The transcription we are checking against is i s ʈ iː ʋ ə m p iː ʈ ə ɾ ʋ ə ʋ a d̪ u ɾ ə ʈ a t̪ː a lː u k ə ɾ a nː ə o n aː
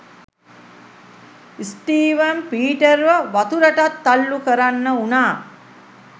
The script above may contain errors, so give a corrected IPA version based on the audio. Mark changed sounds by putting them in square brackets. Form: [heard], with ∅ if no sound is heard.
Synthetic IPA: i s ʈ iː ʋ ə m p iː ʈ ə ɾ ʋ ə ʋ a [t̪] u ɾ ə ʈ a t̪ː a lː u k ə ɾ a nː ə [u] n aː

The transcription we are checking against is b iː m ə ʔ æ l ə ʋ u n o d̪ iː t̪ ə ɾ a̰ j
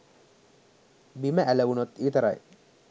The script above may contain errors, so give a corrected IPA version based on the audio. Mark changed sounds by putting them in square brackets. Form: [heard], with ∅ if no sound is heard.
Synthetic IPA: b [i] m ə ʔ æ l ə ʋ u n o [t̪] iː t̪ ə ɾ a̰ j

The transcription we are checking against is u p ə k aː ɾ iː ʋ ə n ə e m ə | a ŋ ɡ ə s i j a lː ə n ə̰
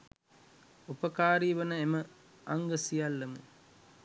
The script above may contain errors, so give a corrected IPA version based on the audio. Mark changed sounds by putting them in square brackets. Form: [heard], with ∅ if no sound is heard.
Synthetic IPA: u p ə k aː ɾ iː ʋ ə n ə e m ə | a ŋ ɡ ə s i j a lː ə [m] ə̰

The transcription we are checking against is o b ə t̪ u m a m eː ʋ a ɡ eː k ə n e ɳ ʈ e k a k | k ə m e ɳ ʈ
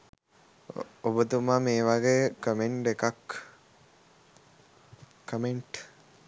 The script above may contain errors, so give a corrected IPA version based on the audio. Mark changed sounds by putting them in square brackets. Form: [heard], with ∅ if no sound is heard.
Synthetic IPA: o b ə t̪ u m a m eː ʋ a ɡ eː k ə [m] e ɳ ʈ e k a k | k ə m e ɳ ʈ

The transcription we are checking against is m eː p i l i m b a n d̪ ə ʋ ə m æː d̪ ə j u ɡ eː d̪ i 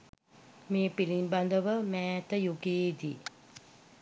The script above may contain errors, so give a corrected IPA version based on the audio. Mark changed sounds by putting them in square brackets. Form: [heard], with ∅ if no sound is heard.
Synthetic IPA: m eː p i l i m b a n d̪ ə ʋ ə m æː [t̪] ə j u ɡ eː d̪ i

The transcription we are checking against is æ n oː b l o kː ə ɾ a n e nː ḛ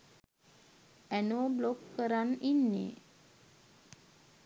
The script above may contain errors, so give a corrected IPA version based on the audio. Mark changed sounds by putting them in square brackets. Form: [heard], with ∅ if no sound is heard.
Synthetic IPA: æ n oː b l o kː ə ɾ a n [i] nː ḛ

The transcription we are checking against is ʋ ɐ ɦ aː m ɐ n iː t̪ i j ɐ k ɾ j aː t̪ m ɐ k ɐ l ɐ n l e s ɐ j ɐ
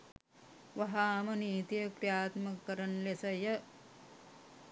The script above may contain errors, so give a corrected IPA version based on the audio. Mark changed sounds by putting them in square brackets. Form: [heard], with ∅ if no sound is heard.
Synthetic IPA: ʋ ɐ ɦ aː m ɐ n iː t̪ i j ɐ k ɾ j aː t̪ m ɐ k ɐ [ɾ] ɐ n l e s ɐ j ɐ

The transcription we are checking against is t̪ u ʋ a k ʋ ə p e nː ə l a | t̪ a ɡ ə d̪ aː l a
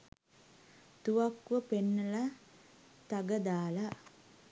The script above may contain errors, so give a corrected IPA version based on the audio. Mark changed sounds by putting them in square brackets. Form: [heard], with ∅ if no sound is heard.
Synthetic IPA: t̪ u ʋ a k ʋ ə p e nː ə l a | t̪ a ɡ ə d̪ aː l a

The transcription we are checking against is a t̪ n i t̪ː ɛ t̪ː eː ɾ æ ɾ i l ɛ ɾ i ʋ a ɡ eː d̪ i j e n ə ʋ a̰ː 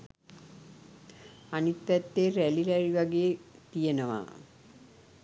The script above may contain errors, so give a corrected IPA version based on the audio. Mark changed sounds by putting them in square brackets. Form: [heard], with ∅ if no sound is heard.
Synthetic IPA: a [∅] n i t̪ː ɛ t̪ː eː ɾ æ [l] i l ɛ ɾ i ʋ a ɡ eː [t̪] i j e n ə ʋ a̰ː

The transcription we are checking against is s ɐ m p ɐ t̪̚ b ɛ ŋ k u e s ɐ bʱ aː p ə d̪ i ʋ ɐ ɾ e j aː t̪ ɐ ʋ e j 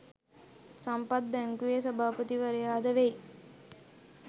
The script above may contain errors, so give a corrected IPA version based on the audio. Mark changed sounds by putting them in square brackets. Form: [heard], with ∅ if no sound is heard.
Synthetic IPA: s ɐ m p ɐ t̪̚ b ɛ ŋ k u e s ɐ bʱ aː p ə [t̪] i ʋ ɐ ɾ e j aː [d̪] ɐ ʋ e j

